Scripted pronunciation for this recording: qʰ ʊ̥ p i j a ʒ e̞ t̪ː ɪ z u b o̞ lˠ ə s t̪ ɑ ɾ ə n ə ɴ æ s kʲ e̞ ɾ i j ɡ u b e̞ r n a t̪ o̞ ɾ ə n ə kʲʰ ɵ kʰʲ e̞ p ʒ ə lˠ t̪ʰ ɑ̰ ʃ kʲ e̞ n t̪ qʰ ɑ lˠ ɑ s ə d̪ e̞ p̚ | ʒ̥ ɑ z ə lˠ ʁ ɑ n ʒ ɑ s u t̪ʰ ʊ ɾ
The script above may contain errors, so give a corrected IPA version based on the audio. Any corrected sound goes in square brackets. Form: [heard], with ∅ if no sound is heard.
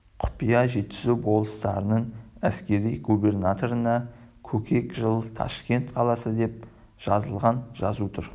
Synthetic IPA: qʰ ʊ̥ p i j [ɑ] ʒ e̞ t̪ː ɪ z u b o̞ lˠ ə s t̪ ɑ ɾ ə n ə ɴ æ s kʲ e̞ ɾ i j ɡ u b e̞ r n a t̪ o̞ ɾ ə n [ɑ] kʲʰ ɵ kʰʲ e̞ [k] ʒ ə lˠ t̪ʰ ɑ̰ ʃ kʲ e̞ n t̪ qʰ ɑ lˠ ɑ s ə d̪ e̞ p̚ | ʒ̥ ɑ z ə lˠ ʁ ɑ n ʒ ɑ [z] u t̪ʰ ʊ ɾ